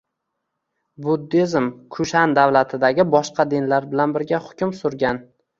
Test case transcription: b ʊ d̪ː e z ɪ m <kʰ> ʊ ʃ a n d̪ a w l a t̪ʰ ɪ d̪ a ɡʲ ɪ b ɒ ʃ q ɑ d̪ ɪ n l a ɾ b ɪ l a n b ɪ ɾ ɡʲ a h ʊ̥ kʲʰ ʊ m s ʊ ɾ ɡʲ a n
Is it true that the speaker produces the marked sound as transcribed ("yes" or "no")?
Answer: yes